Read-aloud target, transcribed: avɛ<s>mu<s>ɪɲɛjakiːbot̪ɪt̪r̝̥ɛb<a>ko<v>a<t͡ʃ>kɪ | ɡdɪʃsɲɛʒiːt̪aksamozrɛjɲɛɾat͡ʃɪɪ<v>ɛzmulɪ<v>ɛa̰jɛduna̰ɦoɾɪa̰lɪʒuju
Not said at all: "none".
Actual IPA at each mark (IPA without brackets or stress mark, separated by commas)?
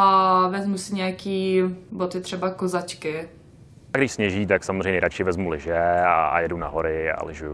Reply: z, s, a, z, t͡ʃ, v, ʒ